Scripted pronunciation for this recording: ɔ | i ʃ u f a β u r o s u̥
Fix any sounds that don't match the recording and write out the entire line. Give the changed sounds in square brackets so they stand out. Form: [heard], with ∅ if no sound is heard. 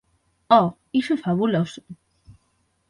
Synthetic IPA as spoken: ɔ | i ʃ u f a β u [l] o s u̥